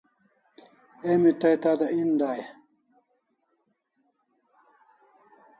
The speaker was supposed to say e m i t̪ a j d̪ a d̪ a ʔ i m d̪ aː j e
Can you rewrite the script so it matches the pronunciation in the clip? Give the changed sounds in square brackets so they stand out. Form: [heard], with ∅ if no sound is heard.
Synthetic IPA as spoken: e m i t̪ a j [t̪] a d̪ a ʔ i [n] d̪ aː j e